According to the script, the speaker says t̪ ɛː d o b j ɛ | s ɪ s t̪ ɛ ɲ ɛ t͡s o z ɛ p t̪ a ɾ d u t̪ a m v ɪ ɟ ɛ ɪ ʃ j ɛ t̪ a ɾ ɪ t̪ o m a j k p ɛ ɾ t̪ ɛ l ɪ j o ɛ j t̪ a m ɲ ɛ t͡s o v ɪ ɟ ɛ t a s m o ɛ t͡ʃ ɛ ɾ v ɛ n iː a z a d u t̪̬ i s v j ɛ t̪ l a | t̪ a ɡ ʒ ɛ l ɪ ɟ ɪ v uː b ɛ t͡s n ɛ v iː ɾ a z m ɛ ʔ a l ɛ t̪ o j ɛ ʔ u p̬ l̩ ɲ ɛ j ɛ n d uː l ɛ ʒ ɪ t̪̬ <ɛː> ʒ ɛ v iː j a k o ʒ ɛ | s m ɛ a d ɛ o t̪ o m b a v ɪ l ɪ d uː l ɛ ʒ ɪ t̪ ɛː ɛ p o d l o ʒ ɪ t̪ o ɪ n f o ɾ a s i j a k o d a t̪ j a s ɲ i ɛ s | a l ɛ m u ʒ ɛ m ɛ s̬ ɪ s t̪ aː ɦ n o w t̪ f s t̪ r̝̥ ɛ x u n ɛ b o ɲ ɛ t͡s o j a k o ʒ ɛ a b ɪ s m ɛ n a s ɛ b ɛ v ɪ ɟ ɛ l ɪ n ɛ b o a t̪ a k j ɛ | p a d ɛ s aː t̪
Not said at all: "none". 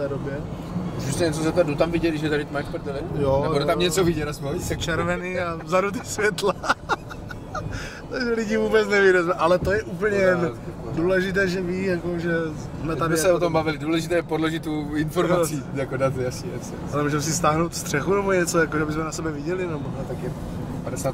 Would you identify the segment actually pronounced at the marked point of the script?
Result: ɛː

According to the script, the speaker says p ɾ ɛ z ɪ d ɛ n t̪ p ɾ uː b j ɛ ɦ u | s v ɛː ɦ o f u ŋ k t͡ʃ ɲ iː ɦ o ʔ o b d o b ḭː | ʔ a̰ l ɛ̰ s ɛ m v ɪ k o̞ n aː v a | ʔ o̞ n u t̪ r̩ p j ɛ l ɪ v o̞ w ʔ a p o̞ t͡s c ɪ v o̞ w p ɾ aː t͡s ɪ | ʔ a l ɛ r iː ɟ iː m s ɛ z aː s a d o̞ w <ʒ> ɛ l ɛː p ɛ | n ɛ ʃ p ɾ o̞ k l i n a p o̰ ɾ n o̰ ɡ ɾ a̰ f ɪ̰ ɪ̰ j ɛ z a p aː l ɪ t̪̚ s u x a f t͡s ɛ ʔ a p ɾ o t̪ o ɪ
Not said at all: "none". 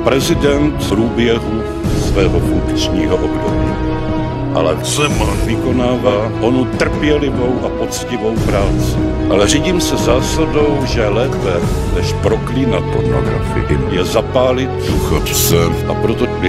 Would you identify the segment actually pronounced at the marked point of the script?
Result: ʒ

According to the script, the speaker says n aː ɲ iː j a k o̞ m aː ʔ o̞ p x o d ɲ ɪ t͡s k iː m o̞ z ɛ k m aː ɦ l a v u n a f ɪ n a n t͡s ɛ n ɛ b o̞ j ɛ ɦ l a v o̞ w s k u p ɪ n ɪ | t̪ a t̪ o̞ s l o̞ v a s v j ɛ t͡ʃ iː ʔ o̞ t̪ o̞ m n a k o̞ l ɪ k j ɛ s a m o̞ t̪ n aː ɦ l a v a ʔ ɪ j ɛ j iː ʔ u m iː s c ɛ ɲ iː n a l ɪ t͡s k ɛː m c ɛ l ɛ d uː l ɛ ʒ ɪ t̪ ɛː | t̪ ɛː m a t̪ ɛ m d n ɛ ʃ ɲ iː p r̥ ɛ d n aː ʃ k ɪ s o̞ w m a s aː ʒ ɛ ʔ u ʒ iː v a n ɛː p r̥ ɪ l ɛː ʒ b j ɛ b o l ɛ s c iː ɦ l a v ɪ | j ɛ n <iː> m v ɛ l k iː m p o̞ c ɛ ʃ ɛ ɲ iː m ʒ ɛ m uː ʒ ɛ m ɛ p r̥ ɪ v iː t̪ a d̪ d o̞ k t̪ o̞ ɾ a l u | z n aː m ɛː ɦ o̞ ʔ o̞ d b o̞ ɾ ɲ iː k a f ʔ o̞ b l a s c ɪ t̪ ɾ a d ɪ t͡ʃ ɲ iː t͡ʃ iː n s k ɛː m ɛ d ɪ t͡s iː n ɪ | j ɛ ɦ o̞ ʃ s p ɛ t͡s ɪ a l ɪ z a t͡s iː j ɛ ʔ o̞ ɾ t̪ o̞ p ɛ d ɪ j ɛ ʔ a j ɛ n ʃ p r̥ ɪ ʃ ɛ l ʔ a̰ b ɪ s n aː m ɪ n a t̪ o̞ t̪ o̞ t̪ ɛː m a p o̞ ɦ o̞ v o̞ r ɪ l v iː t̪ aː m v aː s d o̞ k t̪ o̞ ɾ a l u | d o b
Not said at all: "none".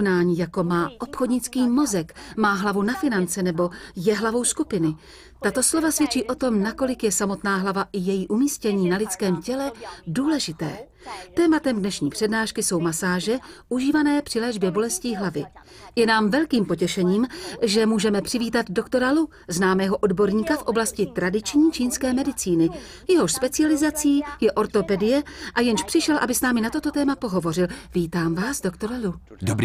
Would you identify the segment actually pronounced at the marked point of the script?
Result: aː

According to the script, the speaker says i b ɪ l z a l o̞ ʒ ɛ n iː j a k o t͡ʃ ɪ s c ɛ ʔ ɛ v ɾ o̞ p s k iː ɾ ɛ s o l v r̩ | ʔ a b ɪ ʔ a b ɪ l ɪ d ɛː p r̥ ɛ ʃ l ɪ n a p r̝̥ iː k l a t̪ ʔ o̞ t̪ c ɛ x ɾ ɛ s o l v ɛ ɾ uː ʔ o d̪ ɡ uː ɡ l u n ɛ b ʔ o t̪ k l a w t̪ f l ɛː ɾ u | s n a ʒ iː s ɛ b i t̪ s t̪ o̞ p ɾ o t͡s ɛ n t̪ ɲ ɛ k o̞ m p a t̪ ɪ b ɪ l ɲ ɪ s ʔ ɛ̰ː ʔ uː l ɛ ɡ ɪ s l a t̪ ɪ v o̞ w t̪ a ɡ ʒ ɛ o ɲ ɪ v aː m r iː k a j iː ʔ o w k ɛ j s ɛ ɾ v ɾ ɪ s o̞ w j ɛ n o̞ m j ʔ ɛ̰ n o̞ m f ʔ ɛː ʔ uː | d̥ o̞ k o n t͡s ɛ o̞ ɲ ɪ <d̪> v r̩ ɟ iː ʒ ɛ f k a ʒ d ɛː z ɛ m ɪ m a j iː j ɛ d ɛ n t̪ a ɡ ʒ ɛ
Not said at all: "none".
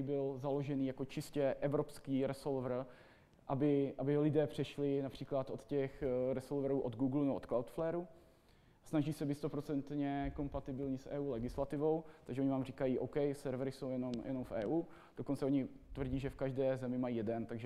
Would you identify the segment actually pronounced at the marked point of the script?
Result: t̪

